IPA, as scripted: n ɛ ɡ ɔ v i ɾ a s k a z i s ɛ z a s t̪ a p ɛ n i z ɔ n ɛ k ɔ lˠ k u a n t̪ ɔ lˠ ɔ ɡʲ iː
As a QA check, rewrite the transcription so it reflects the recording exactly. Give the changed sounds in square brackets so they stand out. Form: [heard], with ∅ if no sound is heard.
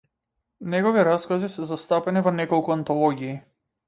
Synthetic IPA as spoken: n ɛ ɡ ɔ v i ɾ a s k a z i s ɛ z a s t̪ a p ɛ n i [v] ɔ n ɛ k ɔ lˠ k u a n t̪ ɔ lˠ ɔ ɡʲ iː